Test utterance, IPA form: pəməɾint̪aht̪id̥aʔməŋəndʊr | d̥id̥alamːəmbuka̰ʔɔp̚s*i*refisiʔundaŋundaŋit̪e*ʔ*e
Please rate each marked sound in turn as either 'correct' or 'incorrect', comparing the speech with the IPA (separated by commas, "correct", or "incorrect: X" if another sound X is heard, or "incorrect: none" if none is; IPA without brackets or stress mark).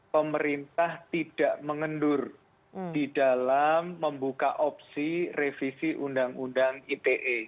correct, correct